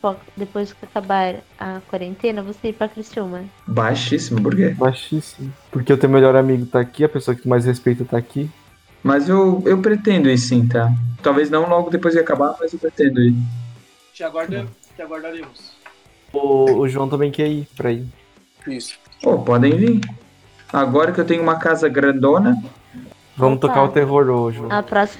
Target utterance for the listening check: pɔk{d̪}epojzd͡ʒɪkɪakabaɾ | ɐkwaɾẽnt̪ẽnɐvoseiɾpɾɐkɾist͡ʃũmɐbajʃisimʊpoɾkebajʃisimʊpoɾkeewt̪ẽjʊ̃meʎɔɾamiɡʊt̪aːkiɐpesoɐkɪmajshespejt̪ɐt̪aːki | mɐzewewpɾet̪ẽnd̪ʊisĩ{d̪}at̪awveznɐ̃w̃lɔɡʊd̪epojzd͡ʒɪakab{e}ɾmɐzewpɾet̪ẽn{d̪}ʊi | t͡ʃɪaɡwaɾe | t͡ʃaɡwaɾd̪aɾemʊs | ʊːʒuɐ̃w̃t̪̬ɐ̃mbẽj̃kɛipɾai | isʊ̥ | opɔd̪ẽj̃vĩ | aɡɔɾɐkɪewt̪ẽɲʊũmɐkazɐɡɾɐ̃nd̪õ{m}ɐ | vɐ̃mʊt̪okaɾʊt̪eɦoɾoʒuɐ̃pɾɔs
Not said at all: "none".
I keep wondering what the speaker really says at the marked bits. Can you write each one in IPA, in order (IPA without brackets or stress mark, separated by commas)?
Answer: d̪, t̪, a, d̪, n